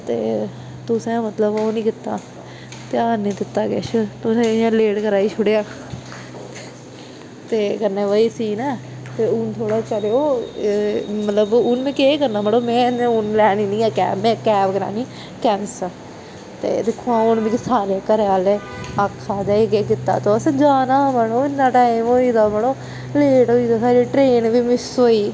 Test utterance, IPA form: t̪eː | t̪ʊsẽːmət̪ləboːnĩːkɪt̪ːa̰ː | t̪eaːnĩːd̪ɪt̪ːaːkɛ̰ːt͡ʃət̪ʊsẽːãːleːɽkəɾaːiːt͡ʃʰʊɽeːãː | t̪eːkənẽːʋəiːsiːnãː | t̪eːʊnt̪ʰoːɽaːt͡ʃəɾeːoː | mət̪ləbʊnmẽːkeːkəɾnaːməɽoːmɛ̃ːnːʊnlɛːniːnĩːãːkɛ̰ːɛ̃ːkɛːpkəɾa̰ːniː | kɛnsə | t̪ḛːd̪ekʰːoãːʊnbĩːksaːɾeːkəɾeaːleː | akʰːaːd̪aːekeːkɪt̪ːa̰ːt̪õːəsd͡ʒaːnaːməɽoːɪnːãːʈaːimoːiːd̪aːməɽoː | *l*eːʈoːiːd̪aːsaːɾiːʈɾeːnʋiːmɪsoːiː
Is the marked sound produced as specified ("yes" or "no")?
yes